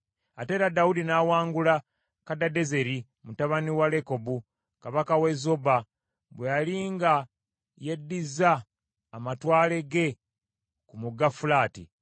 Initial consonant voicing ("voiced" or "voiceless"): voiceless